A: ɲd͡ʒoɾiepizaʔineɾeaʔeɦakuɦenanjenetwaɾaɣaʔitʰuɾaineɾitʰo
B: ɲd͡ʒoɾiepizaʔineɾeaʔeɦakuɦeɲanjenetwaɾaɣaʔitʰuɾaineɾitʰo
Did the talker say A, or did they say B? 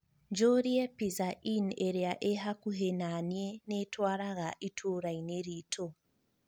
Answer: A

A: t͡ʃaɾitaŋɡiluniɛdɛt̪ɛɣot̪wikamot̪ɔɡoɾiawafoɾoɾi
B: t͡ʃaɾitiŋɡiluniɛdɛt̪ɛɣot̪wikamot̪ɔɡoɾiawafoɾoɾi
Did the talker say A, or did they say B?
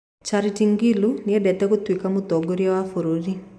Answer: B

